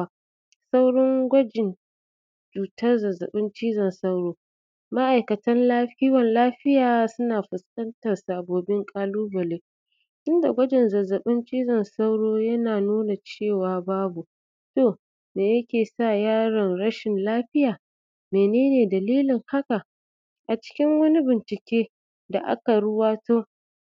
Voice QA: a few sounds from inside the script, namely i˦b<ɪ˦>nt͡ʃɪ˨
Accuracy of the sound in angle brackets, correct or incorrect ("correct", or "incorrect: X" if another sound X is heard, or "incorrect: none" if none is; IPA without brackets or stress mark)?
incorrect: ɪ˨